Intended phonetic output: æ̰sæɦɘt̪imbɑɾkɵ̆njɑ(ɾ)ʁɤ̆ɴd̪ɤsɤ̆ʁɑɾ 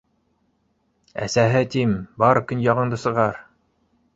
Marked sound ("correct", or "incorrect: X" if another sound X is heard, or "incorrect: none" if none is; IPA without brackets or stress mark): incorrect: none